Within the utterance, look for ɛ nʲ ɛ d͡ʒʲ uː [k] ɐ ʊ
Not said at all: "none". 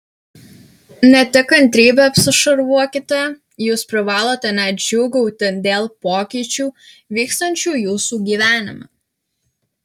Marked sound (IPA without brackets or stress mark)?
ɡ